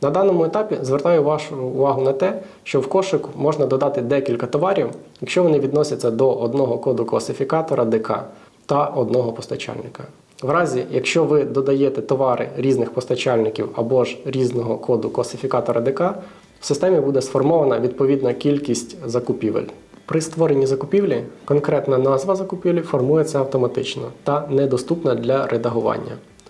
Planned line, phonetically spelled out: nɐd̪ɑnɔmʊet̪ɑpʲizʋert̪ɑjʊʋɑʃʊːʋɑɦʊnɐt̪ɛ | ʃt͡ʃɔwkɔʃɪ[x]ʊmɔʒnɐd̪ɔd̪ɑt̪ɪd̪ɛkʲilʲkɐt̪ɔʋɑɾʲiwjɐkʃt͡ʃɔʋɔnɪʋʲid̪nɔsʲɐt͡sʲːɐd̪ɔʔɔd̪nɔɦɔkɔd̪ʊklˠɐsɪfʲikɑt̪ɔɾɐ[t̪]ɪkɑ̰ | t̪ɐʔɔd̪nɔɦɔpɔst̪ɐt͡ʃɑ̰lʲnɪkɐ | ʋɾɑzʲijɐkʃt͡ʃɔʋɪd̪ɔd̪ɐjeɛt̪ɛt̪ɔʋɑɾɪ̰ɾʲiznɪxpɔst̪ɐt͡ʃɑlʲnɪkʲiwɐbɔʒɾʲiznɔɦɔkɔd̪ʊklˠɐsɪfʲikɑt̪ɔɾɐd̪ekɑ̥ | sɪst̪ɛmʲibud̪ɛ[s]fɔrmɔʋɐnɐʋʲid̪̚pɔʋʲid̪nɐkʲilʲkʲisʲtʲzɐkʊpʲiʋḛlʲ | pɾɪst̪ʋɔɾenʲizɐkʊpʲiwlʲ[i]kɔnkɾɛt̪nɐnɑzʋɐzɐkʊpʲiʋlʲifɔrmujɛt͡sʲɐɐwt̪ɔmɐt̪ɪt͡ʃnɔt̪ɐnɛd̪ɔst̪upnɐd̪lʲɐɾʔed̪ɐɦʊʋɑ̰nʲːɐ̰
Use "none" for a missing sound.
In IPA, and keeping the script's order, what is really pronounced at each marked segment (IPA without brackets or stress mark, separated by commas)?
k, d̪, s, i